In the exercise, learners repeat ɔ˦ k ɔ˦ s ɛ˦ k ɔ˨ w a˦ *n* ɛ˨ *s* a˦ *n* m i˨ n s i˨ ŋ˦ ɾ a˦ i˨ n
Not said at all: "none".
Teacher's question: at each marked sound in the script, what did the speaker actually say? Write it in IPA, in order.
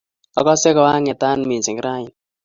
ŋ, t, n

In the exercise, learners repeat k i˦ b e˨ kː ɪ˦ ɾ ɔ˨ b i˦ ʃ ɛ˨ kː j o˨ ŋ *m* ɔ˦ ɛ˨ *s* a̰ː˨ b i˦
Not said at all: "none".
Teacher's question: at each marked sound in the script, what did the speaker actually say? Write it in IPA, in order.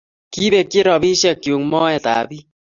m, t

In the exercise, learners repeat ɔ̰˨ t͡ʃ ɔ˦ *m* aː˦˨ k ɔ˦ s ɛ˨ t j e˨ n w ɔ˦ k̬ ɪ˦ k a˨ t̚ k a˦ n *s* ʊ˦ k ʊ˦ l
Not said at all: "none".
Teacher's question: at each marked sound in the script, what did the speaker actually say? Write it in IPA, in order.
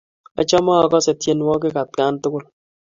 m, t

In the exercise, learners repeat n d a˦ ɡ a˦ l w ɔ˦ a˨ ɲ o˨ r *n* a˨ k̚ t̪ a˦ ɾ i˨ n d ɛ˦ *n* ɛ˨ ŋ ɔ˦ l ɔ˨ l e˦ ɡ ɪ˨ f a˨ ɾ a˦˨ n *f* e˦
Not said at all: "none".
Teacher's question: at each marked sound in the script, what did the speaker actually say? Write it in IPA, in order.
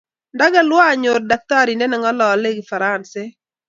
d, n, s

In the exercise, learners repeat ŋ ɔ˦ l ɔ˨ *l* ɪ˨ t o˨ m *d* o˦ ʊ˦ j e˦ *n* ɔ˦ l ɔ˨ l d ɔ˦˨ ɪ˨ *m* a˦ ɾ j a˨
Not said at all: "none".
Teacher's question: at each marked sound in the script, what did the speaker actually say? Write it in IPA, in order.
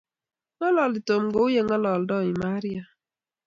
l, ɡ, ŋ, m

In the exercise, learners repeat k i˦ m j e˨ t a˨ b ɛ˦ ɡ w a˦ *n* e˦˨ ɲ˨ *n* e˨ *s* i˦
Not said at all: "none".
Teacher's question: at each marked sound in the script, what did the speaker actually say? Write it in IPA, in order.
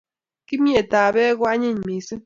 ɲ, m, s

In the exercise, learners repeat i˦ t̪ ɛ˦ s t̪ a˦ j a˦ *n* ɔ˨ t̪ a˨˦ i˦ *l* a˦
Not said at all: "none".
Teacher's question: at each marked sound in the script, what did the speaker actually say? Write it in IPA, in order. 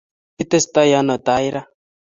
n, ɾ

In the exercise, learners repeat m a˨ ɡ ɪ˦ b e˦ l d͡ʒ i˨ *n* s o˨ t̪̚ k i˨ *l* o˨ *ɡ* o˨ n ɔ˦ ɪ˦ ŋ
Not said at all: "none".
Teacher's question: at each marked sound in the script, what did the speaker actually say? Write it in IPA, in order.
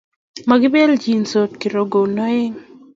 n, ɾ, ɡ

